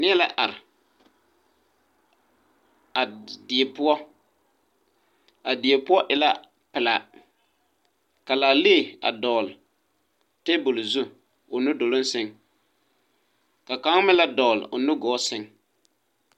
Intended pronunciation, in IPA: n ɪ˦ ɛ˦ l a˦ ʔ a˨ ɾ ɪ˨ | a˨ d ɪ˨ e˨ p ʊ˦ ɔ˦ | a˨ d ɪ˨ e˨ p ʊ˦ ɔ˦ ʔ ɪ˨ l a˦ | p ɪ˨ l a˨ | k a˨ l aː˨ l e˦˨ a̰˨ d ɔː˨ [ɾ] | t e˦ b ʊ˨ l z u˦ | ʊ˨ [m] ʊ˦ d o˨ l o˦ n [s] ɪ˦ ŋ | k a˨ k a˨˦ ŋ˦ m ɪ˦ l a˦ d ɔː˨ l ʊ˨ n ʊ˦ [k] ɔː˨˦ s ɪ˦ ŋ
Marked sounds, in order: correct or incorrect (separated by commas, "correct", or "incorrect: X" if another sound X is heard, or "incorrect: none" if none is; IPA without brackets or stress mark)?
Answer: incorrect: l, incorrect: n, correct, incorrect: ɡ